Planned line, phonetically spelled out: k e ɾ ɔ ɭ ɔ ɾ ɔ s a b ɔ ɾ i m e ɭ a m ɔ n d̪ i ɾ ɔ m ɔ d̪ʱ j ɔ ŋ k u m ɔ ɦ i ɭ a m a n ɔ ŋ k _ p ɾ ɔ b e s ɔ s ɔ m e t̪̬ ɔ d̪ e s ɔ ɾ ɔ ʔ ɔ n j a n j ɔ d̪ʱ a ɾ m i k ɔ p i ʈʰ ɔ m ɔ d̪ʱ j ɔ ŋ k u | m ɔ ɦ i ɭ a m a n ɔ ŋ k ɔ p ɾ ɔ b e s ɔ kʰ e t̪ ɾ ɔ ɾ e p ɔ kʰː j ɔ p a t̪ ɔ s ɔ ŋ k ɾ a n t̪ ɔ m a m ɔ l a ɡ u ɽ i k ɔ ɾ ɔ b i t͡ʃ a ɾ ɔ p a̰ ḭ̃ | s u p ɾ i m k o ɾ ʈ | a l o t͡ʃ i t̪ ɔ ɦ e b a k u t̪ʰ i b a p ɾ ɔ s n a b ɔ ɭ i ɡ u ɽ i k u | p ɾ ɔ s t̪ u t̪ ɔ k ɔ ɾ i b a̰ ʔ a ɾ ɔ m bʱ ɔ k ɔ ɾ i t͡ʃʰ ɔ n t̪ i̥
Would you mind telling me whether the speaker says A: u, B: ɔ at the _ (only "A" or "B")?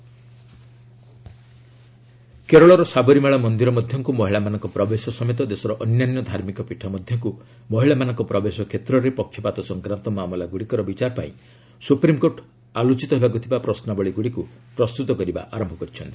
B